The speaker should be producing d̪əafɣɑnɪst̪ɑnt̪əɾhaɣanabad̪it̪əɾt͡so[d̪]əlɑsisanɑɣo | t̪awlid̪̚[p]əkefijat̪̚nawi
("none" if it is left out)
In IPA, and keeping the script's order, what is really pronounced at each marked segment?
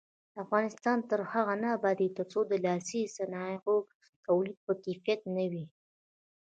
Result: d̪, p

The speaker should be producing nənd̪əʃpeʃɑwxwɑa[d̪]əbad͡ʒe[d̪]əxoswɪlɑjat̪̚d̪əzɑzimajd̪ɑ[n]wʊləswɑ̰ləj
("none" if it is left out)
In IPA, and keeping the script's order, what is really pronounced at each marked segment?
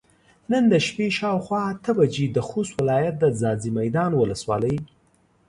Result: t̪, d̪, n

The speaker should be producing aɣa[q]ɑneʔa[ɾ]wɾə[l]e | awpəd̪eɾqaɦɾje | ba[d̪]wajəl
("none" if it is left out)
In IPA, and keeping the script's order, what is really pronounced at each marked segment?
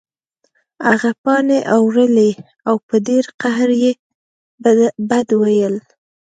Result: p, none, l, d̪

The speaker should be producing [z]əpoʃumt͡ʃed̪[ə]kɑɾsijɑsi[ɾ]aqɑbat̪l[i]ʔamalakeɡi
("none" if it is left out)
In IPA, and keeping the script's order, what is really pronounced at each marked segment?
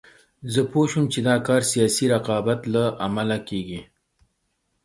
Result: z, ɑ, ɾ, a

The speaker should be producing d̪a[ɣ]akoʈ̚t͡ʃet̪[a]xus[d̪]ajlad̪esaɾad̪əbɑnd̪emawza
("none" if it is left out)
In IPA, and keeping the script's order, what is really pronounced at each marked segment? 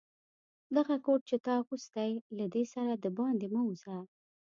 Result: ɣ, ɑ, t̪

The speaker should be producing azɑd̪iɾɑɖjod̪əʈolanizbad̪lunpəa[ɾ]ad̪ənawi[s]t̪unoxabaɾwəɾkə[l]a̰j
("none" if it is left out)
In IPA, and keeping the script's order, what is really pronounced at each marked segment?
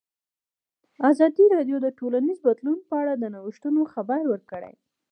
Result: ɽ, ʃ, ɽ

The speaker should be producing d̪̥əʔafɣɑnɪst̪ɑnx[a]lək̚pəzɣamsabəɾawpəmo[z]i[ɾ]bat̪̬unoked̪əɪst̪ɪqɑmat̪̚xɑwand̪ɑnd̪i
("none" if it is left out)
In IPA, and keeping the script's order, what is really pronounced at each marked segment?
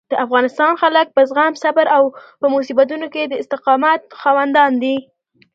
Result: a, s, none

